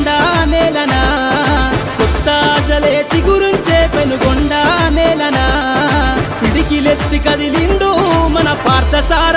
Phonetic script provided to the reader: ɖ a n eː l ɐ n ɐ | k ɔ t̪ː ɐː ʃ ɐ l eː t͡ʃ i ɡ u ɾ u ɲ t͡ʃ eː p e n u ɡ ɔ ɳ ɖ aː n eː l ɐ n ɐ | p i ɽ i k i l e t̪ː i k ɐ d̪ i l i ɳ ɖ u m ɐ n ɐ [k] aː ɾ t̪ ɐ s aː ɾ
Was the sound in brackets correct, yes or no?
no